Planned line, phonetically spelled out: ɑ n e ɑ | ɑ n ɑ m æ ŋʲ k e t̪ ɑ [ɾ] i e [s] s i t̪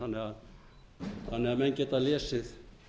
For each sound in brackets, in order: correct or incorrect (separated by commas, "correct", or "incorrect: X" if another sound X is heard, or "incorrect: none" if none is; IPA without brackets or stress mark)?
incorrect: l, correct